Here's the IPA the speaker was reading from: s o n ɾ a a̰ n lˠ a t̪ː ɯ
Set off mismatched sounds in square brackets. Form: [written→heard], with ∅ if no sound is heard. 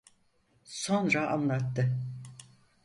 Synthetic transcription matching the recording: s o n ɾ a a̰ n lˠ a t̪ː ɯ